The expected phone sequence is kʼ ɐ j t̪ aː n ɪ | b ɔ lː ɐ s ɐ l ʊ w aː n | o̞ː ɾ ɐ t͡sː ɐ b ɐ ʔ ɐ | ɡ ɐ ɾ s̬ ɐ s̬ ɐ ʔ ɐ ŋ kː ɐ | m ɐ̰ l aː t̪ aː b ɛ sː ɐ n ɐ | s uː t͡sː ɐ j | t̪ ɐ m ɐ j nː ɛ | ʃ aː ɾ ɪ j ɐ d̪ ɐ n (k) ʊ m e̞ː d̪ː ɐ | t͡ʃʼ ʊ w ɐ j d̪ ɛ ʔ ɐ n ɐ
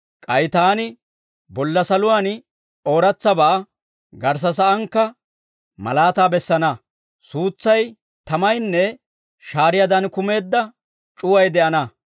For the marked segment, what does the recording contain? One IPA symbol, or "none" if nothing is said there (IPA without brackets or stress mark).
k